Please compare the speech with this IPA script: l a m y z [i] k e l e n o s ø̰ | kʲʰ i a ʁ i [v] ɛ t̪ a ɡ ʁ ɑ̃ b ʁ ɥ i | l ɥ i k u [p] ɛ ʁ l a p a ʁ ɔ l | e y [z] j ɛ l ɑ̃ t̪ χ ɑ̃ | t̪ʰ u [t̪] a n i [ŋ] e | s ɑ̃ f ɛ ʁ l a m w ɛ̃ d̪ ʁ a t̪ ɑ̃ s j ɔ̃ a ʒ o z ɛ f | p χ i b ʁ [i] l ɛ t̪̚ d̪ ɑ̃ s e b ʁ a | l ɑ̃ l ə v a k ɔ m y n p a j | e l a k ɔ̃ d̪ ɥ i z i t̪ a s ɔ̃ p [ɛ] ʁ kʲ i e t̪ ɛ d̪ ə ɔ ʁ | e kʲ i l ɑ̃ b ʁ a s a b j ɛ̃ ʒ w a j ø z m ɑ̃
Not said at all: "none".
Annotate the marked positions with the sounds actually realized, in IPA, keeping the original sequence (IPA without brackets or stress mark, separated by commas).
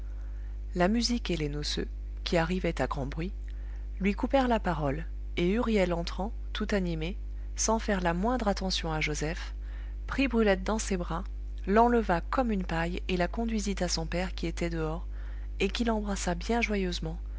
i, v, p, ʁ, t̪, m, y, ɛ